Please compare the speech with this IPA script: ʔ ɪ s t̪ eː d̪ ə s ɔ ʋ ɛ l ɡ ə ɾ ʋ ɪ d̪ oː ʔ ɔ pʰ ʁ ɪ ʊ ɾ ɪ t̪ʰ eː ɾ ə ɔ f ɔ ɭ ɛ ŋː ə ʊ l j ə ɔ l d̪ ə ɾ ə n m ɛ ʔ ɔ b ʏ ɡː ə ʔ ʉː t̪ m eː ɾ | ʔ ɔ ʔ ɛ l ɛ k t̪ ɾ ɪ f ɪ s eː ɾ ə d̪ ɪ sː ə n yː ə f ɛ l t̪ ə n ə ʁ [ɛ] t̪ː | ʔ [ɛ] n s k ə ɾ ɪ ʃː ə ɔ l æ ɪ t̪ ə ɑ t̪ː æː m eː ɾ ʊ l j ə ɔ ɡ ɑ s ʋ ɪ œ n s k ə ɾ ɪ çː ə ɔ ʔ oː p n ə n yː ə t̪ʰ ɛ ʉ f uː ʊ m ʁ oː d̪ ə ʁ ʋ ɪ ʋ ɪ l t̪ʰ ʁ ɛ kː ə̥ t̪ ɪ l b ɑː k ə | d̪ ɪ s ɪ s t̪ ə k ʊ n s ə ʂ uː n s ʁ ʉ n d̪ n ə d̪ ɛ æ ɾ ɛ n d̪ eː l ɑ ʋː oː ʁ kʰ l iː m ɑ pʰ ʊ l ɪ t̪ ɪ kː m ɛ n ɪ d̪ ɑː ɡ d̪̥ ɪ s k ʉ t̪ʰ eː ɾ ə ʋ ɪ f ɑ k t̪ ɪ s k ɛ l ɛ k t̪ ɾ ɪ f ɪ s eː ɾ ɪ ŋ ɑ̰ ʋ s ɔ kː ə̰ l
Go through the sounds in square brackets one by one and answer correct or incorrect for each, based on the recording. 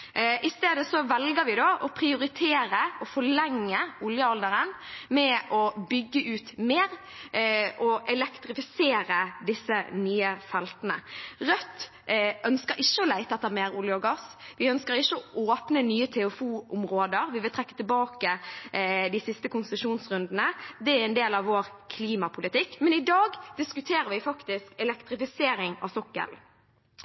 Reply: incorrect: œ, incorrect: œ

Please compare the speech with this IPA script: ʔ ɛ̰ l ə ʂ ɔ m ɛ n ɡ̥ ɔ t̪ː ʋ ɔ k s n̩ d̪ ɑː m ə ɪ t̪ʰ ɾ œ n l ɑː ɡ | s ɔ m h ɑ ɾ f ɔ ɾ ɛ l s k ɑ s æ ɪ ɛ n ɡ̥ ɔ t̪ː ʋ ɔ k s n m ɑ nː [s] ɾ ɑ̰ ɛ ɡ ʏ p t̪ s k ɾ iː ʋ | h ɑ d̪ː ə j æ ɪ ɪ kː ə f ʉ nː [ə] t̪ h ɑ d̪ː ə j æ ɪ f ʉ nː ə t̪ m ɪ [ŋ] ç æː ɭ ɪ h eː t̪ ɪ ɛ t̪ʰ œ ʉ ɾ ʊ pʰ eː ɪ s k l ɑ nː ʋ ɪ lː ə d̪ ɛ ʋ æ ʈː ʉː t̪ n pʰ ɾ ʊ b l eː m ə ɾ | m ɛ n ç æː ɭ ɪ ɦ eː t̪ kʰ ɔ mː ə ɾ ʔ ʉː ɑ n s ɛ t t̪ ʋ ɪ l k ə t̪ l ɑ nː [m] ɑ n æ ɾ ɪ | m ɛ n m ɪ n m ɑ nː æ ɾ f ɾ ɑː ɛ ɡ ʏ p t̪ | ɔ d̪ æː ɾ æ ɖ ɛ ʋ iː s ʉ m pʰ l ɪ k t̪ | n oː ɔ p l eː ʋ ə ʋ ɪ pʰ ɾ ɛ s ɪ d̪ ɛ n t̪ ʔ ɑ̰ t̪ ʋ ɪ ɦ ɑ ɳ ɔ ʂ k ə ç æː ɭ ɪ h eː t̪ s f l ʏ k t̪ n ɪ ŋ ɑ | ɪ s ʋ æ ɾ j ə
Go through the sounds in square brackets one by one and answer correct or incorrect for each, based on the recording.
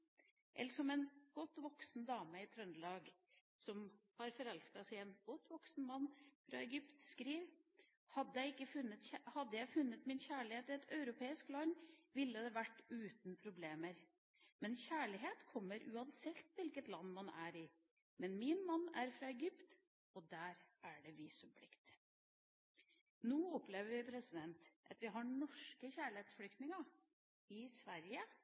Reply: incorrect: f, correct, incorrect: n, correct

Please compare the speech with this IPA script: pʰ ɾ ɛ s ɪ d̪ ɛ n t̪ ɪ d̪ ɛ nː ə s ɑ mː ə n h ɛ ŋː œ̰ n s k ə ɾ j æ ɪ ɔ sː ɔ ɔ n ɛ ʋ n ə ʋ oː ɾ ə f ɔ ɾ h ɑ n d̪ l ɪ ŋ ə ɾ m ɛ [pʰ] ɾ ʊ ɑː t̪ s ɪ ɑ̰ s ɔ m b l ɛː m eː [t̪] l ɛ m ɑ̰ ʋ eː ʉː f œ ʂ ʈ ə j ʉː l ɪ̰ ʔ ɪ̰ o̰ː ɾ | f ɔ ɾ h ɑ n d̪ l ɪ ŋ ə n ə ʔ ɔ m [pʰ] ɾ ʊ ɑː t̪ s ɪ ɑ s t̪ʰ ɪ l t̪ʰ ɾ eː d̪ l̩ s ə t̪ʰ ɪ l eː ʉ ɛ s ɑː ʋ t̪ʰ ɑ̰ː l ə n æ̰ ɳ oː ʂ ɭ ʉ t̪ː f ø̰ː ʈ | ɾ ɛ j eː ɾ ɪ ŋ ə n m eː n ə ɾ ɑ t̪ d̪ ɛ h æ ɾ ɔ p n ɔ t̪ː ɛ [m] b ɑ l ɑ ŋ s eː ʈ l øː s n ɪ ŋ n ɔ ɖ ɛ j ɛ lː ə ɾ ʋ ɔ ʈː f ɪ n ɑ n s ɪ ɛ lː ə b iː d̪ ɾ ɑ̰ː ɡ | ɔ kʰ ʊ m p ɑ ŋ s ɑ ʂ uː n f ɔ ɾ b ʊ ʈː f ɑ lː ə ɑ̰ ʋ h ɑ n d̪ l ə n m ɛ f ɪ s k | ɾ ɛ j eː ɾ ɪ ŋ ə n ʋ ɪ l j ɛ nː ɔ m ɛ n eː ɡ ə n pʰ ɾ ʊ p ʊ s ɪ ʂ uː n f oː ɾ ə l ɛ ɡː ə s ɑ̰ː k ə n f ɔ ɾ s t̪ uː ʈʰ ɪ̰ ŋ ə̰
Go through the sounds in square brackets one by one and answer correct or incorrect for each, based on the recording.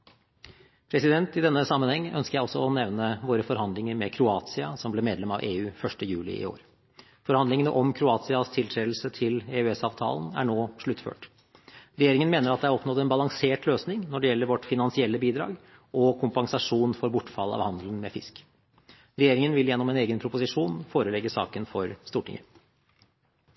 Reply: incorrect: kʰ, incorrect: d̪, incorrect: kʰ, incorrect: n

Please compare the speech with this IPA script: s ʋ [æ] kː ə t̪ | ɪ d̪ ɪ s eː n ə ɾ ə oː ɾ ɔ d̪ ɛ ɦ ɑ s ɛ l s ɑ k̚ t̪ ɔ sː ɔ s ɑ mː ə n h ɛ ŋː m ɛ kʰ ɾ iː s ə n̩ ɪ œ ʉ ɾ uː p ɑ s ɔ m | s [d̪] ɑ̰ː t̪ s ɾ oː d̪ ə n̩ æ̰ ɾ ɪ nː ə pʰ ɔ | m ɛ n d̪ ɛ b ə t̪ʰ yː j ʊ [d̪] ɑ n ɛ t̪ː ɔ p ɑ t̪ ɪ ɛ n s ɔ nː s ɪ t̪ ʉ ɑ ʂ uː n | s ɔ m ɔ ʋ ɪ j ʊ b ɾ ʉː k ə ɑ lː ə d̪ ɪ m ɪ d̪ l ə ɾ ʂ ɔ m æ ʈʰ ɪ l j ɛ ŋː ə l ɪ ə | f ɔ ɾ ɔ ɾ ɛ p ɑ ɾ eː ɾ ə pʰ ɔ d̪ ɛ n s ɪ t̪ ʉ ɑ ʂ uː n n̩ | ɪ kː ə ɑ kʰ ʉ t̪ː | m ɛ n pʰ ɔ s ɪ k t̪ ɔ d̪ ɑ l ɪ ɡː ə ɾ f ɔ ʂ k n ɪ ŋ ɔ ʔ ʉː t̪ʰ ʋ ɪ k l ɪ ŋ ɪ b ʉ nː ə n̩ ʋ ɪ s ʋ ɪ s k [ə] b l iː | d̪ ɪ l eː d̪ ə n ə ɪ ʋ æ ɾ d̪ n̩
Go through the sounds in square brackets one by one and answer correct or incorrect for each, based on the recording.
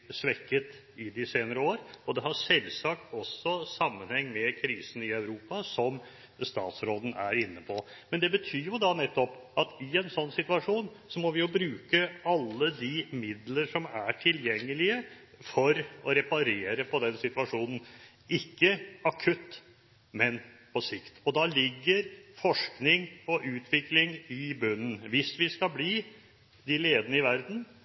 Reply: incorrect: ɛ, incorrect: t̪, correct, incorrect: ɑ

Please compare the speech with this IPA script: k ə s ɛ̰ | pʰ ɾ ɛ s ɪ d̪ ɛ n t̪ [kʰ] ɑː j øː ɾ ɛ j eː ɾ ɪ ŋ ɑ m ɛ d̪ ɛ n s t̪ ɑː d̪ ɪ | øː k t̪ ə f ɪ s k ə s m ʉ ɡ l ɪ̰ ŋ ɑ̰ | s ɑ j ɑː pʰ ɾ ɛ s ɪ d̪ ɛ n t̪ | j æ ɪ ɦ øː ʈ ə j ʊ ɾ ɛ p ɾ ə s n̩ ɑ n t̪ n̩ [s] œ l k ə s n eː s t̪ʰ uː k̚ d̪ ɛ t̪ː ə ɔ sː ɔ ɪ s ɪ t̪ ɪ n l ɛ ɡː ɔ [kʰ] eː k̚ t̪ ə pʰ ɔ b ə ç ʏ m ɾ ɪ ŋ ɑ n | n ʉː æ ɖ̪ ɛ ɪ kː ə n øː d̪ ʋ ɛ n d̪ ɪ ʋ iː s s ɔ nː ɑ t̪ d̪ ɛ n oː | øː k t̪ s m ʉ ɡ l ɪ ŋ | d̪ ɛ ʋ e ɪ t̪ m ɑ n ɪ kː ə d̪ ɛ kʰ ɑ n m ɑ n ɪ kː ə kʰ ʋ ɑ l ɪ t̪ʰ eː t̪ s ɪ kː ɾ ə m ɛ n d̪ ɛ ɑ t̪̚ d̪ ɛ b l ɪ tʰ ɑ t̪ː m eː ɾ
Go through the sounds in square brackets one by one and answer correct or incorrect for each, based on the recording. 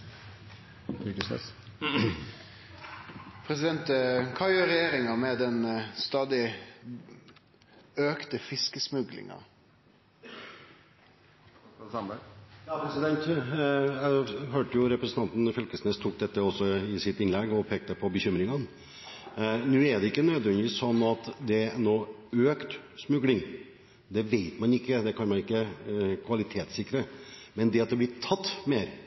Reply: correct, incorrect: f, incorrect: pʰ

